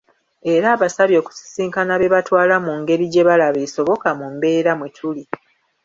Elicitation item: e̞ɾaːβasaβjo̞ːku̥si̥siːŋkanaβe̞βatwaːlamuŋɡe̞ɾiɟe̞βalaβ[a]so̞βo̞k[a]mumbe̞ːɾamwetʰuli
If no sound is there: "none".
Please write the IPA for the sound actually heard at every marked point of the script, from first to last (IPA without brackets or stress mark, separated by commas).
e, a